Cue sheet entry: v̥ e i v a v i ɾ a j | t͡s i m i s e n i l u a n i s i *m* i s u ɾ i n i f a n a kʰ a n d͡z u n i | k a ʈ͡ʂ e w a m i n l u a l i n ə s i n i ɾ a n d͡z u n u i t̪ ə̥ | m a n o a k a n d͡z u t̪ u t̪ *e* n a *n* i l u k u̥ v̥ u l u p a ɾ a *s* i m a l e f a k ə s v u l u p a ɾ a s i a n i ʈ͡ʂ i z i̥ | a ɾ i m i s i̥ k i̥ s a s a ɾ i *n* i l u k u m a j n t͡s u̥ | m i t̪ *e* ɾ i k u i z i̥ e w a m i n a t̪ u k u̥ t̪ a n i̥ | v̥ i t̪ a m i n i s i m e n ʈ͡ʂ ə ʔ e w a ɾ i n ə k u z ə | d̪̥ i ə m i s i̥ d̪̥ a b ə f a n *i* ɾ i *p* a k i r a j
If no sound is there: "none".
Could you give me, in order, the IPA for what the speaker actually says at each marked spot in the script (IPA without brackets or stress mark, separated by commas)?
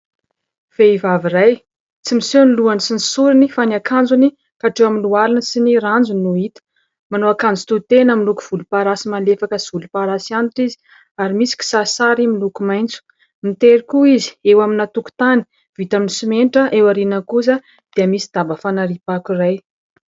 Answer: n, e, m, s, m, e, a, p